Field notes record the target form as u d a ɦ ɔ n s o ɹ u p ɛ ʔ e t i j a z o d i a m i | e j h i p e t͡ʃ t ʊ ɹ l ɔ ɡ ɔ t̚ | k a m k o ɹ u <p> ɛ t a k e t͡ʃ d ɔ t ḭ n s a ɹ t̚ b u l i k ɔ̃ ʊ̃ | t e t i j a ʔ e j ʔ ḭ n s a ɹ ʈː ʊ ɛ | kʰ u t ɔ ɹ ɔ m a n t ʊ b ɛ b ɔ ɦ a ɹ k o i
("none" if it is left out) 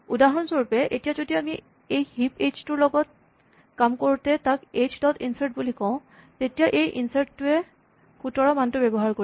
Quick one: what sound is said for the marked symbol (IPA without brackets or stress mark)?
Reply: t